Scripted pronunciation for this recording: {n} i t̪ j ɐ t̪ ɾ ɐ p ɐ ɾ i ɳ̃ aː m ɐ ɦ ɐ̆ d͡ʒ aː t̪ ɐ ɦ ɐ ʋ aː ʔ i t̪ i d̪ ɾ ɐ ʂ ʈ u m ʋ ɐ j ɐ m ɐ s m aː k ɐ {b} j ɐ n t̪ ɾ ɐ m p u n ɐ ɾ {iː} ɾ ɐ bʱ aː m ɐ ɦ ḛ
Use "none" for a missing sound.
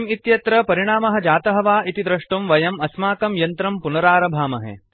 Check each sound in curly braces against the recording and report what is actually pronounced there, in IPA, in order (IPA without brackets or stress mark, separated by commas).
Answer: m, m, aː